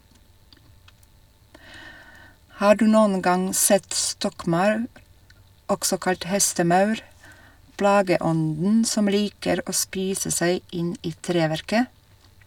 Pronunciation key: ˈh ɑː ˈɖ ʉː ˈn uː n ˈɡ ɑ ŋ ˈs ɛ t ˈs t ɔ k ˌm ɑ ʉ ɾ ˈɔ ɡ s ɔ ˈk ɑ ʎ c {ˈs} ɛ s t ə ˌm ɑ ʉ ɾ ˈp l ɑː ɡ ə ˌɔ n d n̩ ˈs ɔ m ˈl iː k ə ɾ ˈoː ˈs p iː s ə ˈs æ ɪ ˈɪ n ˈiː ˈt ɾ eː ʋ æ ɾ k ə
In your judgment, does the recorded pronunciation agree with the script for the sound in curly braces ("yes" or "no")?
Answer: no